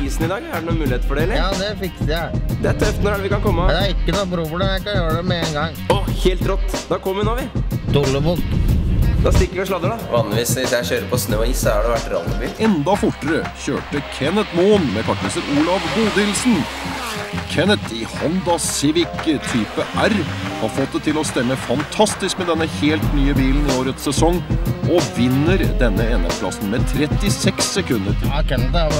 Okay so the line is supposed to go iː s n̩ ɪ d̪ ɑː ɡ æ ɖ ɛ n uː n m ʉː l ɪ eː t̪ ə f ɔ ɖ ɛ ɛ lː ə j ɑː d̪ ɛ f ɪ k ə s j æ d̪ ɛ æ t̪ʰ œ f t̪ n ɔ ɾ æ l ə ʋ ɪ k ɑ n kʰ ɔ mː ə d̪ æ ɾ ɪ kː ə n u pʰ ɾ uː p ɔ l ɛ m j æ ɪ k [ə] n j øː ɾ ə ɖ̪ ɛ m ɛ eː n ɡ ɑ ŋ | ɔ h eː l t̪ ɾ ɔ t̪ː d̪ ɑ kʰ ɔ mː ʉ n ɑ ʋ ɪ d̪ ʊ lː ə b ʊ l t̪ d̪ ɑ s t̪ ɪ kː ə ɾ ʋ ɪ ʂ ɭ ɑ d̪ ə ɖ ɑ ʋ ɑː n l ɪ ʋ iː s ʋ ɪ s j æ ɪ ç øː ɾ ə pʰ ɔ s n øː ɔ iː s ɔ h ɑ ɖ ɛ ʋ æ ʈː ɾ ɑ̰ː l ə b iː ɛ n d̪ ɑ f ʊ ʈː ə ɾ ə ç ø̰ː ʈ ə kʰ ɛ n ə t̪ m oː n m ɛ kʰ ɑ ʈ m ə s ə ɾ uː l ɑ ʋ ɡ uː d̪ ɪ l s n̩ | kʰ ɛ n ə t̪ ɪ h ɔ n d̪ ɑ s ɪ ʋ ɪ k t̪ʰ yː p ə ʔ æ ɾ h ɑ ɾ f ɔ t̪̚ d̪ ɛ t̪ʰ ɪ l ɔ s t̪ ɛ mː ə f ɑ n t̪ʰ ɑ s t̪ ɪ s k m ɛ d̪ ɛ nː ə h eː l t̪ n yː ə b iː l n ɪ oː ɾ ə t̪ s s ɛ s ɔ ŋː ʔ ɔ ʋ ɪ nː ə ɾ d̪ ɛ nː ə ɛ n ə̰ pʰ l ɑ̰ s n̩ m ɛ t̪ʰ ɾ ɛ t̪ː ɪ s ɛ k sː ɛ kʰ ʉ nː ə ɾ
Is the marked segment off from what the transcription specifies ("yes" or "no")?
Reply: yes